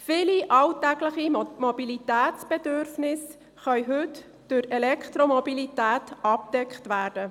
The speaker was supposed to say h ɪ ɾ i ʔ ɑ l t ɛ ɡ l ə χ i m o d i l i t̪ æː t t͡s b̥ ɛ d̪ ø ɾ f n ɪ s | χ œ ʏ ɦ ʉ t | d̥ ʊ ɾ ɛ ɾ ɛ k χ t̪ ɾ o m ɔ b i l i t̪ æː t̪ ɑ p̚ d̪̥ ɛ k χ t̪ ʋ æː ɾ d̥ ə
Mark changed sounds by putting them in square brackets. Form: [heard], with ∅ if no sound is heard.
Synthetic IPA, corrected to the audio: [f] ɪ [l] i ʔ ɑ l t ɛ ɡ l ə χ i m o [b] i l i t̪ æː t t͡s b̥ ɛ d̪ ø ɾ f n ɪ s | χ œ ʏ ɦ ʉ t | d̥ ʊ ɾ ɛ [l] ɛ k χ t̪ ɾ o m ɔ b i l i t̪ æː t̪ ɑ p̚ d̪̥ ɛ k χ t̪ ʋ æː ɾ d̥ ə